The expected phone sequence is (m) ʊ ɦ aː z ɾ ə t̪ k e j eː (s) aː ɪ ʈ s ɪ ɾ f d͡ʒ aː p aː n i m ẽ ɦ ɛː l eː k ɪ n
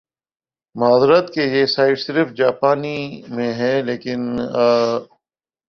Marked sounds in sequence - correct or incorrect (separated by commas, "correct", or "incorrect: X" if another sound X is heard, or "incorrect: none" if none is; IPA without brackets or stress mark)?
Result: correct, correct